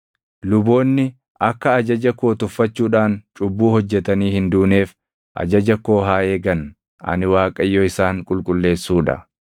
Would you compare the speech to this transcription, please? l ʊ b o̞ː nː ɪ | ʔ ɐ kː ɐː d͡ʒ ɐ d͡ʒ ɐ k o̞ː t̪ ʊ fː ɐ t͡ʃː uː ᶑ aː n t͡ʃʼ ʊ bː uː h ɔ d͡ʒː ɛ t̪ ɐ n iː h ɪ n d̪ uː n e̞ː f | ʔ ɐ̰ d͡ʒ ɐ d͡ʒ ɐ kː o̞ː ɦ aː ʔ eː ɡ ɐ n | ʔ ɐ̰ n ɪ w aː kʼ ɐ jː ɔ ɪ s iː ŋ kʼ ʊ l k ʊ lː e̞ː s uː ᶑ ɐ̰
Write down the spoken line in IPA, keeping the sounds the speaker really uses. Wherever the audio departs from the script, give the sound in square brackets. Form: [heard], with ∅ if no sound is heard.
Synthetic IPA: l ʊ b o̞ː nː ɪ | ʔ ɐ kː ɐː d͡ʒ ɐ d͡ʒ ɐ k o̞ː t̪ ʊ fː ɐ t͡ʃː uː ᶑ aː n t͡ʃʼ ʊ bː uː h ɔ d͡ʒː ɛ t̪ ɐ n iː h ɪ n d̪ uː n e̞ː f | ʔ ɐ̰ d͡ʒ ɐ d͡ʒ ɐ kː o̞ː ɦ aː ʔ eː ɡ ɐ n | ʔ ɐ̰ n ɪ w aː kʼ ɐ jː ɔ ɪ s [aː] ŋ kʼ ʊ l [kʼ] ʊ lː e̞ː s uː ᶑ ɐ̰